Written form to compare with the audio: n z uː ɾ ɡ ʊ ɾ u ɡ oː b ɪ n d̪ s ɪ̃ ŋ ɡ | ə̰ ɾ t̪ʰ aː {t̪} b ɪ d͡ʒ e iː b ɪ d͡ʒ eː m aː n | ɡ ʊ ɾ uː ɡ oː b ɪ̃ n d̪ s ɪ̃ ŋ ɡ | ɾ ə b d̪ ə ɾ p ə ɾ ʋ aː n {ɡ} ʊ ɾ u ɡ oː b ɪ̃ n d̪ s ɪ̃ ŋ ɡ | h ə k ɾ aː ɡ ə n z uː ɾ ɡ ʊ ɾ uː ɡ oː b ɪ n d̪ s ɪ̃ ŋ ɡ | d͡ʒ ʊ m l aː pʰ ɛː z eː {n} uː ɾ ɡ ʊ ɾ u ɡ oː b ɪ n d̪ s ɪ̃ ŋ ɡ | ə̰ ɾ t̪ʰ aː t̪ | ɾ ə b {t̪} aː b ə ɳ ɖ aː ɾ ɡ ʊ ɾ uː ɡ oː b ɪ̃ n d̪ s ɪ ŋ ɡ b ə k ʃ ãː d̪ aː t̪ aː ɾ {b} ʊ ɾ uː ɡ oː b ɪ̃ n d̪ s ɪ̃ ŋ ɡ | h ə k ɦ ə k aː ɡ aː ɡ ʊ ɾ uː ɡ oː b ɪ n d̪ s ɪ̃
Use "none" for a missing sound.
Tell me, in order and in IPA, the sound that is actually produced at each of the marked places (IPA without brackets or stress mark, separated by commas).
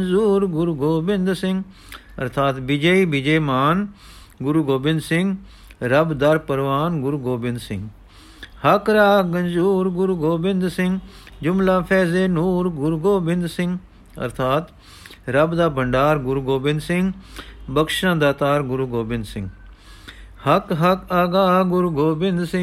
t̪, ɡ, n, d̪, ɡ